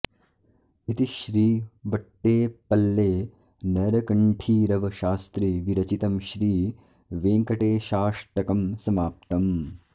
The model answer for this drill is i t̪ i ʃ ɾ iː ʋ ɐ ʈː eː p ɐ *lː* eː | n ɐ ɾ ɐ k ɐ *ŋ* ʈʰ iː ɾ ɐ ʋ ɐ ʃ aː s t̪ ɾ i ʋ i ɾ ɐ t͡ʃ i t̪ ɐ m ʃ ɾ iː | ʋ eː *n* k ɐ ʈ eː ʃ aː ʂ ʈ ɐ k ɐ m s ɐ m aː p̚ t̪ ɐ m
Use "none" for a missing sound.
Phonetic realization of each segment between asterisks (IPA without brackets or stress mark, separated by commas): lː, ɳ, ŋ